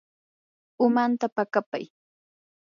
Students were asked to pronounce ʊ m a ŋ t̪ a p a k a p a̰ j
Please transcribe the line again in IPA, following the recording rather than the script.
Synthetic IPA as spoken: ʊ m a n t̪ a p a k a p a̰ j